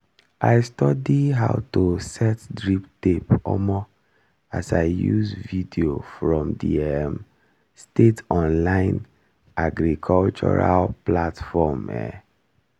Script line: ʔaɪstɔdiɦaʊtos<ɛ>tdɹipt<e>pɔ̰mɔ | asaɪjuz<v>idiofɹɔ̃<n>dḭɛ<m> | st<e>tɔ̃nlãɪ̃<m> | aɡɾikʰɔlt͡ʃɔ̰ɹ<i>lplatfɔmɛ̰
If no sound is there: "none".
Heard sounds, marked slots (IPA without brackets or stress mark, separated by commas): ɛ, e, v, m, m, e, n, a